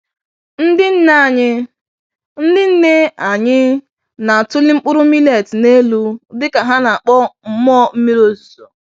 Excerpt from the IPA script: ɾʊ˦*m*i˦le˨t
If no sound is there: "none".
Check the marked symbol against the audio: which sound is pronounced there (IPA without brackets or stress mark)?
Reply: m